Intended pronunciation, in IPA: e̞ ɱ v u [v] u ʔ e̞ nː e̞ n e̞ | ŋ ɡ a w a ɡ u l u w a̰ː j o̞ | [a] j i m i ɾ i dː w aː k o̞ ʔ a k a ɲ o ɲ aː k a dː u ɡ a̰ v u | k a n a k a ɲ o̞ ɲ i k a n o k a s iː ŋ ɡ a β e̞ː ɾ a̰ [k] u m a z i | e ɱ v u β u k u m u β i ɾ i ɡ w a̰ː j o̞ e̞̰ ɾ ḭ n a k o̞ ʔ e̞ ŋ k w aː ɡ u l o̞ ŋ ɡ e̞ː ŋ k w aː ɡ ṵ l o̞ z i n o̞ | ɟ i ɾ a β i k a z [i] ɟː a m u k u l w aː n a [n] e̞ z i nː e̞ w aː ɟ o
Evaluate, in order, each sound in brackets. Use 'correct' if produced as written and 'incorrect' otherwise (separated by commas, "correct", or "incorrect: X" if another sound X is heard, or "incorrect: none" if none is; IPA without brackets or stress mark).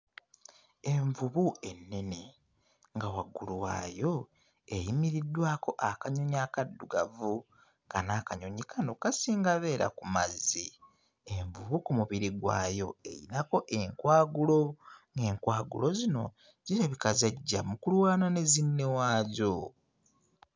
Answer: incorrect: β, incorrect: e, correct, incorrect: a, correct